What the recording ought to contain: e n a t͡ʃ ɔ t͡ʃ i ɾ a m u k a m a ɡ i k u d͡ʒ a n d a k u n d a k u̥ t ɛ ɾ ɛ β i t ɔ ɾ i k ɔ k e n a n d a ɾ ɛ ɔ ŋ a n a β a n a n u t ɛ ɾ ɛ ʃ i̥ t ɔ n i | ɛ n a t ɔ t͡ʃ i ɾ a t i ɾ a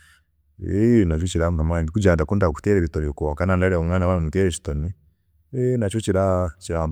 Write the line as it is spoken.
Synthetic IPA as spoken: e n a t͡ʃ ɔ t͡ʃ i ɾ a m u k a m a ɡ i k u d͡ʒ a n d a k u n d a k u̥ t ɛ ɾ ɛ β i t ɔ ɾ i k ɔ k a n a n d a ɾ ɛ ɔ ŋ a n a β a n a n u t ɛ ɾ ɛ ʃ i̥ t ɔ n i | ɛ n a t͡ʃ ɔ t͡ʃ i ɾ a t͡ʃ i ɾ a